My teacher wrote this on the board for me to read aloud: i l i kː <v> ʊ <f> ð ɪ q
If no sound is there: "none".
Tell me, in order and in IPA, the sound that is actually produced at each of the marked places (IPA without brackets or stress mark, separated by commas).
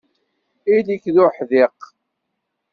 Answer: ð, ħ